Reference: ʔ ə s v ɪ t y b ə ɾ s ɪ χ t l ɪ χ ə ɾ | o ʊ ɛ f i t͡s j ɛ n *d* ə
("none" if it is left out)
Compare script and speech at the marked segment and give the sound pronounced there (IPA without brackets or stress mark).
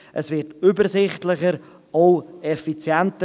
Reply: t